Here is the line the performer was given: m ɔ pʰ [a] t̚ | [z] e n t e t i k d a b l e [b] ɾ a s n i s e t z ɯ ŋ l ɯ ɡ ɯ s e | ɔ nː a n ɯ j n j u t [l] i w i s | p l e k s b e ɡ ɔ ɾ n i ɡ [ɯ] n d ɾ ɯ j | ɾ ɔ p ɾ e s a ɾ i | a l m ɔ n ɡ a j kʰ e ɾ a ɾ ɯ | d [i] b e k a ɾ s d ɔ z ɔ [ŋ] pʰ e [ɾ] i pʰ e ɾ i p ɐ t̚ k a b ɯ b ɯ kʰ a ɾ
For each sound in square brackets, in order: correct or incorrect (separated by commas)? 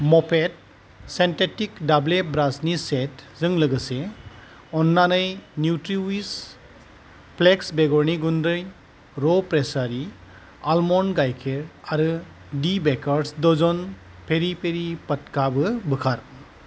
incorrect, incorrect, correct, incorrect, incorrect, correct, incorrect, correct